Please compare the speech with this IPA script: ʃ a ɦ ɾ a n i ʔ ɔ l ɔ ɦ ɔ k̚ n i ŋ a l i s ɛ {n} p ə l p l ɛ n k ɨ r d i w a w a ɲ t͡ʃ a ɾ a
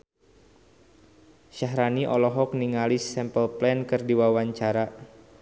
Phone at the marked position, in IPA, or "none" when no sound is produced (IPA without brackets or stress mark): m